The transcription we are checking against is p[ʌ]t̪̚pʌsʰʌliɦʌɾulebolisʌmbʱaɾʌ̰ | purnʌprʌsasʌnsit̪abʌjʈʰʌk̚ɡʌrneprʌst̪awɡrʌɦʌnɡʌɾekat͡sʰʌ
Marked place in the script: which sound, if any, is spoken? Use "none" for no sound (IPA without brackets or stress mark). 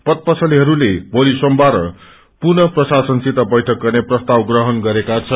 ʌ